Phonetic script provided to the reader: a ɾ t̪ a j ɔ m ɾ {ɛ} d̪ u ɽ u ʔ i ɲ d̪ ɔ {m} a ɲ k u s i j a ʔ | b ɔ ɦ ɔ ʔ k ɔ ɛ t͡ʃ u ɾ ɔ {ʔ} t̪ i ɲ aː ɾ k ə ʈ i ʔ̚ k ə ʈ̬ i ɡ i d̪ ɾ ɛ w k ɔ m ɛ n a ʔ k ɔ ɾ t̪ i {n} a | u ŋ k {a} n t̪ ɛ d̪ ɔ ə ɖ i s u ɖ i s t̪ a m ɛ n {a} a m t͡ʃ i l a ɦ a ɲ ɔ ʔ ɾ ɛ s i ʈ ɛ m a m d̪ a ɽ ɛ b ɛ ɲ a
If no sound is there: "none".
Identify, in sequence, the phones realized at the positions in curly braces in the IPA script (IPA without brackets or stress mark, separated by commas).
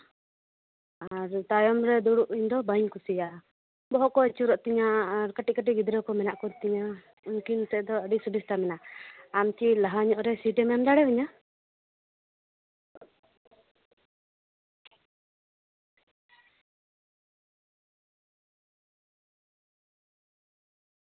ɛ, b, ʔ, ɲ, i, a